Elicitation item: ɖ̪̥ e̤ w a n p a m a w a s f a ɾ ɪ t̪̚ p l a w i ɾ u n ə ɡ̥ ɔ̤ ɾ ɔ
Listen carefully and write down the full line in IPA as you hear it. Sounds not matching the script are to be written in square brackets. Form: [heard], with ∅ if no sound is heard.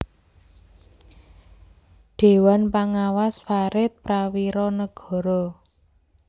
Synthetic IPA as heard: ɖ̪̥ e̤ w a n p a [ŋ] a w a s f a ɾ ɪ t̪̚ p [ɾ] a w i ɾ [ɔ] n ə ɡ̥ ɔ̤ ɾ ɔ